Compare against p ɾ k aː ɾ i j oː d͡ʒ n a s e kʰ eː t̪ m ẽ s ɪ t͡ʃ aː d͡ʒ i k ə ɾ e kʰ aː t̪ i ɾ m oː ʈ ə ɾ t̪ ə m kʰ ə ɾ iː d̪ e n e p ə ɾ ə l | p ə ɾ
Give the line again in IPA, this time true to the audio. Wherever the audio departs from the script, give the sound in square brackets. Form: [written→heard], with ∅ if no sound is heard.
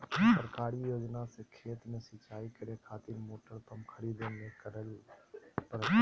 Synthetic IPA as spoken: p ɾ k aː ɾ i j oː d͡ʒ n a s e kʰ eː t̪ m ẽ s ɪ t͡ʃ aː [d͡ʒ→∅] i k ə ɾ e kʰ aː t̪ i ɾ m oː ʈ ə ɾ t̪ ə m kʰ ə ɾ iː d̪ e n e [p→k] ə ɾ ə l | p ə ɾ